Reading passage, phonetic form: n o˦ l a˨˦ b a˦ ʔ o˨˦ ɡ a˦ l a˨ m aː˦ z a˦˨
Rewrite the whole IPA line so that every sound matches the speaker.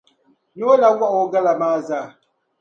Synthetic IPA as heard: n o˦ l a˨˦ w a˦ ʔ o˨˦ ɡ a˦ l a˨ m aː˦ z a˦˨